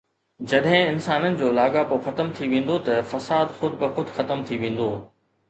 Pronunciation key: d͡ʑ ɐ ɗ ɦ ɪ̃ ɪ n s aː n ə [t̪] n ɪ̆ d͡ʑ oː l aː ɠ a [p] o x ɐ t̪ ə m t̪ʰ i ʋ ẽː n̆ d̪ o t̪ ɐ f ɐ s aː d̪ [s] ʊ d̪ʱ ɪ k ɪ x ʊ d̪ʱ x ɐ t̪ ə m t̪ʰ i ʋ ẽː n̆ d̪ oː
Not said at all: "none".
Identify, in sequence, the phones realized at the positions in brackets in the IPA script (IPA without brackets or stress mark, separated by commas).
none, p, x